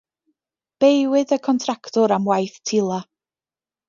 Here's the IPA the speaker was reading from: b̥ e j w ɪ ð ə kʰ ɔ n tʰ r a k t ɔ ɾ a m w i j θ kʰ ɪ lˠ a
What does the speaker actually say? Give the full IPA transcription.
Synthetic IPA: b̥ e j w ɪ ð ə kʰ ɔ n tʰ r a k t ɔ ɾ a m w a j θ tʰ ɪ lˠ a

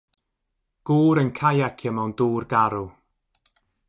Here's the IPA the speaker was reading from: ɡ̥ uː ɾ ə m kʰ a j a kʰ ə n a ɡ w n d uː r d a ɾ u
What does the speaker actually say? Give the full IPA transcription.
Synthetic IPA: ɡ̥ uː ɾ ə n kʰ a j a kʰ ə m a w n d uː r ɡ a ɾ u

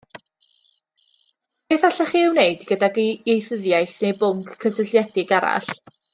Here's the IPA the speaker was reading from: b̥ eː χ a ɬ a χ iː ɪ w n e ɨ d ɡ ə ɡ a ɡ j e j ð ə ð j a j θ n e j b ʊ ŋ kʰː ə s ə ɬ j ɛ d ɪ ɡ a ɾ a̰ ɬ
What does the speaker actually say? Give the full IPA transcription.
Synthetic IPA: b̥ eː θ a ɬ a χ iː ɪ w n e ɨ d ɡ ə d a ɡ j e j θ ə ð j a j θ n e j b ʊ ŋ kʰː ə s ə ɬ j ɛ d ɪ ɡ a ɾ a̰ ɬ

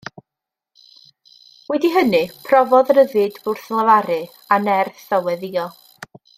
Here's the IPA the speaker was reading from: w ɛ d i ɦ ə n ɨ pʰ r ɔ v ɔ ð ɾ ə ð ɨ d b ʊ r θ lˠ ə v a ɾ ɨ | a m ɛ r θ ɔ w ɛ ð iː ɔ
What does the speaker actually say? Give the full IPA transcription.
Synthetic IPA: w ɛ d i ɦ ə n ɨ pʰ r ɔ v ɔ ð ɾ ə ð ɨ d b ʊ r θ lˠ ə v a ɾ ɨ | a n ɛ r θ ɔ w ɛ ð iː ɔ

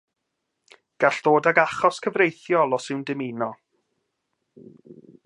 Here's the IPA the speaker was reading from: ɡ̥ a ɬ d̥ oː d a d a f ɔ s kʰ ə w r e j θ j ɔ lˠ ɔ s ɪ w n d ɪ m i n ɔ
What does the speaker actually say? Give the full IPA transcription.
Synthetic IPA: ɡ̥ a ɬ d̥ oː d a ɡ a χ ɔ s kʰ ə v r e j θ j ɔ lˠ ɔ s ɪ w n d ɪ m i n ɔ

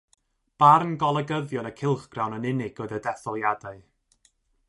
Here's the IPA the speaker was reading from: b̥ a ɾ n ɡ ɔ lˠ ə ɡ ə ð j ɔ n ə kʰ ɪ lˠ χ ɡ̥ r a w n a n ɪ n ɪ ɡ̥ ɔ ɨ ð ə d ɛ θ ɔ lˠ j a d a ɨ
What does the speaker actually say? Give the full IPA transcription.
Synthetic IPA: b̥ a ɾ n ɡ ɔ lˠ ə ɡ ə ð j ɔ n ə kʰ ɪ lˠ χ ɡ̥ r a w n ə n ɪ n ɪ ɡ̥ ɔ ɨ ð ə d ɛ θ ɔ lˠ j a d a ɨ

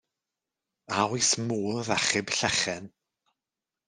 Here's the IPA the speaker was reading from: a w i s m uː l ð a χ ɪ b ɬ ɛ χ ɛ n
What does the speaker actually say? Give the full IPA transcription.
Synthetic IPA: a w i s m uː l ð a χ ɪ b ɬ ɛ χ ɛ n

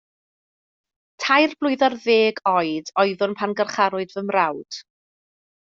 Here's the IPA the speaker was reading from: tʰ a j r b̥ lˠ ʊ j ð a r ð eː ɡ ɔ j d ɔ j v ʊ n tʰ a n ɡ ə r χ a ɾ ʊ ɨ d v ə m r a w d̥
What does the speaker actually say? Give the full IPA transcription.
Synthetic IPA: tʰ a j r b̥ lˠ ʊ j ð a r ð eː ɡ ɔ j d ɔ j ð ʊ n pʰ a n ɡ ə r χ a ɾ ʊ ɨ d v ə m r a w d̥

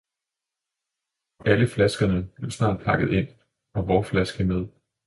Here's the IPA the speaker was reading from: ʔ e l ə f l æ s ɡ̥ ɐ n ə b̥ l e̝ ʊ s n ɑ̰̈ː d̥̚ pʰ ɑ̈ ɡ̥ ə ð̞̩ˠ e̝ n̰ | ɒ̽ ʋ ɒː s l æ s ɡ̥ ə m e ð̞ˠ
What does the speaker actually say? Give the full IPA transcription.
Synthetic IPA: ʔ æ l ə f l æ s ɡ̥ ɐ n ə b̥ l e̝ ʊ s n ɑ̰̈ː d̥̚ pʰ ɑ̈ ɡ̥ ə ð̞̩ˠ e̝ n̰ | ɒ̽ ʋ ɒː f l æ s ɡ̥ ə m e ð̞ˠ

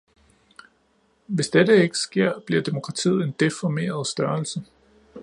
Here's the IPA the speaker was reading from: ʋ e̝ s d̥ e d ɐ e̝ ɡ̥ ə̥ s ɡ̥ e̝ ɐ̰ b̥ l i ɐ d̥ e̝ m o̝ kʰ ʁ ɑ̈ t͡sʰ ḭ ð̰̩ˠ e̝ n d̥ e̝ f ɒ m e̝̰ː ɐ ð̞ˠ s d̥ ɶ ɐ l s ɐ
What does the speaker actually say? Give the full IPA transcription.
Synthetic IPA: ʋ e̝ s d̥ e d ə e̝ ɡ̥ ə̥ s ɡ̥ e̝ ɐ̰ b̥ l i ɐ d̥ e̝ m o̝ kʰ ʁ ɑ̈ t͡sʰ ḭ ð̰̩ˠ e̝ n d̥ e̝ f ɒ m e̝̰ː ɐ ð̞ˠ s d̥ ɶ ɐ l s ə

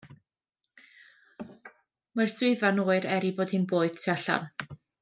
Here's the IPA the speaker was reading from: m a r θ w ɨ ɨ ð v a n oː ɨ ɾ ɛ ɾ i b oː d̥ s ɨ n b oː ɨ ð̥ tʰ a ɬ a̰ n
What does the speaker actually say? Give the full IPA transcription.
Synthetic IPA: m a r s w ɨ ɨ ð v a n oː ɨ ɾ ɛ ɾ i b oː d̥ h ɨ n b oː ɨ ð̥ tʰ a ɬ a̰ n

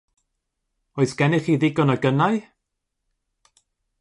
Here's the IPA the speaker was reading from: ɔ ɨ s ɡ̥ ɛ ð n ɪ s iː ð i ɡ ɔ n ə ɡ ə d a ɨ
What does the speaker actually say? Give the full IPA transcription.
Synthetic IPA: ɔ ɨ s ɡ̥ ɛ n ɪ χ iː ð ɪ ɡ ɔ n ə ɡ ə n a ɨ

